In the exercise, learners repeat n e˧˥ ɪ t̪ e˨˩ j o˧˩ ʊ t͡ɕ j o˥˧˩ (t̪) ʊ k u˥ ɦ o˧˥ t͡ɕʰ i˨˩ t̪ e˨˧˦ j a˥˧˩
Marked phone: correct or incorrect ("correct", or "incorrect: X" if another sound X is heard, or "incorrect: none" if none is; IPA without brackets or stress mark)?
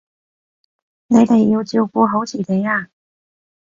incorrect: none